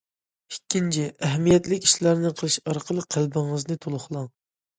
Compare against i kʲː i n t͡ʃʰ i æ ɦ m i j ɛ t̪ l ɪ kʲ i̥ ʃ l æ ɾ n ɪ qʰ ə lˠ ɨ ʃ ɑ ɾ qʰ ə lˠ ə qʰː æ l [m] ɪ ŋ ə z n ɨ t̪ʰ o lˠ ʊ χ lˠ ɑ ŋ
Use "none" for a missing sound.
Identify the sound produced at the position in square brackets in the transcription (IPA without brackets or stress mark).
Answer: b